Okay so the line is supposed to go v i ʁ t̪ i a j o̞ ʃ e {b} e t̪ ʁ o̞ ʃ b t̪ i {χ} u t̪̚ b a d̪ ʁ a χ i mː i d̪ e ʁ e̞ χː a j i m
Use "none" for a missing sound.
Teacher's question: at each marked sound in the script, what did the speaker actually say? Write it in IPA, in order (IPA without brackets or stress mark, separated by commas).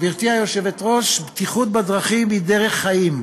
v, χ